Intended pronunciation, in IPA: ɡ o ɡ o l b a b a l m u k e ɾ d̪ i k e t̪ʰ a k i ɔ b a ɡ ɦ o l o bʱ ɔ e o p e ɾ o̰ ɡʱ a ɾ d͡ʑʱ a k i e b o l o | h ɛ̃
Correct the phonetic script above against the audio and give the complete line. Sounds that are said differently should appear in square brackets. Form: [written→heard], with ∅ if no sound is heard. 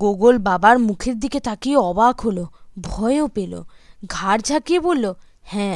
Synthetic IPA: ɡ o ɡ o l b a b a [l→ɾ] m u [k→kʰ] e ɾ d̪ i k e [t̪ʰ→t̪] a k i ɔ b a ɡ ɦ o l o bʱ ɔ e o p e [ɾ→l] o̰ ɡʱ a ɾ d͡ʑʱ a k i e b o [l→lː] o | h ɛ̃